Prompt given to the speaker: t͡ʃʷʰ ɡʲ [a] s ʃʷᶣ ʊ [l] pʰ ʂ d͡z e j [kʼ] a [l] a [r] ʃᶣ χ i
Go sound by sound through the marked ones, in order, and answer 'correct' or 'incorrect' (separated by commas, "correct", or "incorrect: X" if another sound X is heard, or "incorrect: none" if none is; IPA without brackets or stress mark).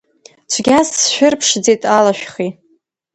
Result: correct, incorrect: r, incorrect: tʼ, correct, incorrect: none